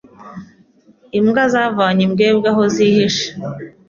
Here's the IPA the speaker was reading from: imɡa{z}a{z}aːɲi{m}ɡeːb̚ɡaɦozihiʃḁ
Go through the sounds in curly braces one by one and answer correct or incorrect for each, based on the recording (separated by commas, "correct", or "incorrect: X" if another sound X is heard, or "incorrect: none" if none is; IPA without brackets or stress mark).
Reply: correct, incorrect: v, correct